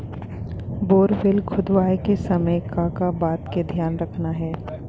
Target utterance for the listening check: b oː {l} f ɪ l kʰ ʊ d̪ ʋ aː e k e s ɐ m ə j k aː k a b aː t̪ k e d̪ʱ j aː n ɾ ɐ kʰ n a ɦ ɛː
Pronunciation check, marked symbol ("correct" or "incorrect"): incorrect